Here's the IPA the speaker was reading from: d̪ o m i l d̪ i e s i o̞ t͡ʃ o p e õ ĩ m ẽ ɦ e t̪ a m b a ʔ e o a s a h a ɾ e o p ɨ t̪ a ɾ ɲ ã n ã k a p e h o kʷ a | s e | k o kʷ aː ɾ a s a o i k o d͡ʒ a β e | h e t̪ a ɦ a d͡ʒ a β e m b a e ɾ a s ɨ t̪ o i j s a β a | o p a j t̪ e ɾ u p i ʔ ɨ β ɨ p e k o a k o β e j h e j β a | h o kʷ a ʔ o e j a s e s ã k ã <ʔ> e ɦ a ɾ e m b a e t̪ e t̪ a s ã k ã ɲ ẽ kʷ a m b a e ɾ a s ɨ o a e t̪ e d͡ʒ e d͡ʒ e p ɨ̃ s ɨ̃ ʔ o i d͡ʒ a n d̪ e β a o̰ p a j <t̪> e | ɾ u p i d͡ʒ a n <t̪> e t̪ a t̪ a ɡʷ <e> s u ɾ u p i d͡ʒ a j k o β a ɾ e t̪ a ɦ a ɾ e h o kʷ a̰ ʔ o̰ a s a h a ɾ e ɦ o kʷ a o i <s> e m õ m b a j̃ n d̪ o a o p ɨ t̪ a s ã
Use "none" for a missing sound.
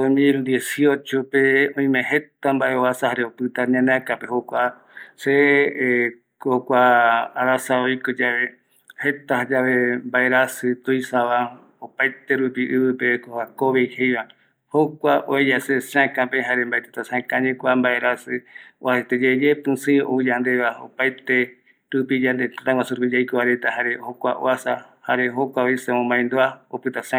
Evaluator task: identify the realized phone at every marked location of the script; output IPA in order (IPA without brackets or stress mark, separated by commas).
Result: p, t̪, d̪, a, s